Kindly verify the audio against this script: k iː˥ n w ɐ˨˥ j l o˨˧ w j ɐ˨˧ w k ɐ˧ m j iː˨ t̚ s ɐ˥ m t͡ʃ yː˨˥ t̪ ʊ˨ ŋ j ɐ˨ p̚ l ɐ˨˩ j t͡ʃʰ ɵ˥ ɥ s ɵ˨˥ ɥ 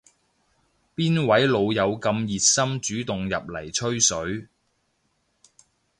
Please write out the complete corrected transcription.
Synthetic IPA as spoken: p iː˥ n w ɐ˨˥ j l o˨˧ w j ɐ˨˧ w k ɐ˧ m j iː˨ t̚ s ɐ˥ m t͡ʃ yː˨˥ t̪ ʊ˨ ŋ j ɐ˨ p̚ l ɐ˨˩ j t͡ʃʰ ɵ˥ ɥ s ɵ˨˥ ɥ